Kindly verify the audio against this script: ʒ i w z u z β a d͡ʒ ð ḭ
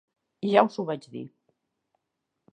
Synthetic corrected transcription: ʒ a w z u β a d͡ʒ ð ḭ

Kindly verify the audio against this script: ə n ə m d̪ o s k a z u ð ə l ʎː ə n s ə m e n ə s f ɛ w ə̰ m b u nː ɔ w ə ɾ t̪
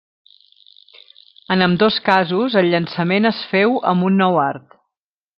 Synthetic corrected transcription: ə n ə m d̪ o s k a z u z ə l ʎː ə n s ə m e n ə s f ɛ w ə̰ m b u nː ɔ w a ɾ t̪

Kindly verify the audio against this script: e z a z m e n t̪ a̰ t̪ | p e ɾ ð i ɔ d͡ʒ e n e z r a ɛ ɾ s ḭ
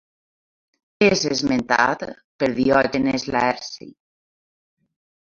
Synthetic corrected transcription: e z e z m e n t̪ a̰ t̪ | p e ɾ ð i ɔ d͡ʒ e n e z l a ɛ ɾ s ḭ

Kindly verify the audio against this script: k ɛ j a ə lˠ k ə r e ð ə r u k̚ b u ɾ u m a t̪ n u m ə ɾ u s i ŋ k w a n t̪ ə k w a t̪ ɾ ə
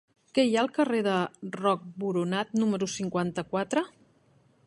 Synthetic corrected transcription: k ɛ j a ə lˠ k ə r e ð ə r ɔ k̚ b u ɾ u n a t̪ n u m ə ɾ u s i ŋ k w a n t̪ ə k w a t̪ ɾ ə

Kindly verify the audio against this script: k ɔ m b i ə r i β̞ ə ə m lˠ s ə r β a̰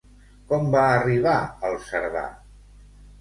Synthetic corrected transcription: k ɔ m b a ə r i β̞ a ə lˠ s ə ɾ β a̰

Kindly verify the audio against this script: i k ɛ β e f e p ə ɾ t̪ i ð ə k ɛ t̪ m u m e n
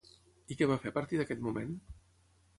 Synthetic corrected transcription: i k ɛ β a f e p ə ɾ t̪ i ð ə k ɛ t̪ m u m e n

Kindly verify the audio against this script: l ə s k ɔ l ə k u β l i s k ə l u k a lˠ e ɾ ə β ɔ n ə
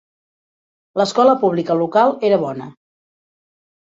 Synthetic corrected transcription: l ə s k ɔ l ə p u β l i k ə l u k a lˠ e ɾ ə β ɔ n ə

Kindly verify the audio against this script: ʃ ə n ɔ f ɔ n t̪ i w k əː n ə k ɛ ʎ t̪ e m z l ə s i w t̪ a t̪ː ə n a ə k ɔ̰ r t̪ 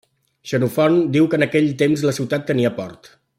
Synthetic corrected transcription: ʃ ə n u f ɔ n d̪ i w k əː n ə k ɛ ʎ t̪ e m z l ə s i w t̪ a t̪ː ə n i ə p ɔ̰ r t̪

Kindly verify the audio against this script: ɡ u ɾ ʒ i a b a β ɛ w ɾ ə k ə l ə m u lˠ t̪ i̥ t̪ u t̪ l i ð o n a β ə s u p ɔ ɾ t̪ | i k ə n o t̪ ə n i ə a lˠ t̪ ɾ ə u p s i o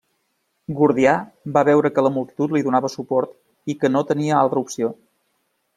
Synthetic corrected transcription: ɡ u ɾ ð i a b a β ɛ w ɾ ə k ə l ə m u lˠ t̪ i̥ t̪ u t̪ l i ð u n a β ə s u p ɔ ɾ t̪ | i k ə n o t̪ ə n i ə a lˠ t̪ ɾ ə u p s i o

